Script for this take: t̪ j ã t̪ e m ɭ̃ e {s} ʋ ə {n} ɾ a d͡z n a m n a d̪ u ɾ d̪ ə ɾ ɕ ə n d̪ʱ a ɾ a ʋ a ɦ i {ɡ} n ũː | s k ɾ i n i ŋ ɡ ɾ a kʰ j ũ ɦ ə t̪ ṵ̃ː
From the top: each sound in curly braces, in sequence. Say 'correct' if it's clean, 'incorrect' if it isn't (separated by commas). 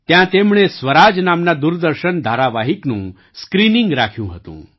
correct, incorrect, incorrect